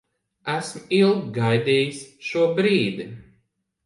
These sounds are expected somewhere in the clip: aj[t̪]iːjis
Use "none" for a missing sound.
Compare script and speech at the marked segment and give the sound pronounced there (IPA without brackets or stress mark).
d̪